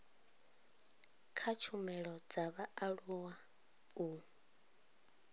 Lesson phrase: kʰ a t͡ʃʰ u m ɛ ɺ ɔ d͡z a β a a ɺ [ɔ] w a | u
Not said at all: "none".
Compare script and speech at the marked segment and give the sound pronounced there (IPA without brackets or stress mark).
u